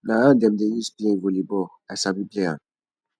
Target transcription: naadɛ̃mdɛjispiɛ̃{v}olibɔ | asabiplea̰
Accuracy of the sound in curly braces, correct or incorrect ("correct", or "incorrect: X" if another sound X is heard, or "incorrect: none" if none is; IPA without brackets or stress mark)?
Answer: correct